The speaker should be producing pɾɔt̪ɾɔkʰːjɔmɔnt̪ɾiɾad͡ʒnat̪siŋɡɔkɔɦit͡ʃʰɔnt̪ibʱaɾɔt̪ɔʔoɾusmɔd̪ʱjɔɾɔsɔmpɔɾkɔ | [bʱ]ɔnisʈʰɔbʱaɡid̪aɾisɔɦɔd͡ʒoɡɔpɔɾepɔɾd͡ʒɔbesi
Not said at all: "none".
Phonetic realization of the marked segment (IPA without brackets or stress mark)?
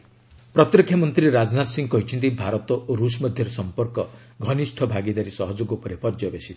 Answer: ɡʱ